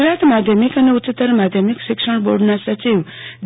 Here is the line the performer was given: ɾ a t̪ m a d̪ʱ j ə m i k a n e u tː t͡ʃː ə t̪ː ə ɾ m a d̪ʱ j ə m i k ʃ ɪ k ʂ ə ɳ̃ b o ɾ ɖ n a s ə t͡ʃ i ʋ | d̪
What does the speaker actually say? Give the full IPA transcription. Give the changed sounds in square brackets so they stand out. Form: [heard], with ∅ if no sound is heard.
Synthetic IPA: ɾ a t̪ m a d̪ʱ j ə m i k [ə] n e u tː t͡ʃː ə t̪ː ə ɾ m a d̪ʱ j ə m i k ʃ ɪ k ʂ ə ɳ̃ b o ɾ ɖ n a s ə t͡ʃ i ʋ | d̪